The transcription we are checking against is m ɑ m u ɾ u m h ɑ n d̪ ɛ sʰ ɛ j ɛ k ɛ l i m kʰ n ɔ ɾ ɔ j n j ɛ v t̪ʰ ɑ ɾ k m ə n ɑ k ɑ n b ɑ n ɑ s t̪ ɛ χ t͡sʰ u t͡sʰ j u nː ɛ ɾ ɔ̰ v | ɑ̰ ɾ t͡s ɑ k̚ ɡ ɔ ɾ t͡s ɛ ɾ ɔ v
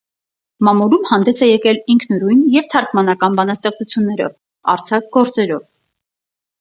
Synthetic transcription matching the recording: m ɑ m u ɾ u m h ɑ n d̪ ɛ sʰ ɛ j ɛ k ɛ l i ŋ kʰ n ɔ ɾ u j n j ɛ v t̪ʰ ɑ ɾ k m ɑ n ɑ k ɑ n b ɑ n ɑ s t̪ ɛ χ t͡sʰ u t͡sʰ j u nː ɛ ɾ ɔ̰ v | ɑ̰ ɾ t͡sʰ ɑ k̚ ɡ ɔ ɾ t͡s ɛ ɾ ɔ v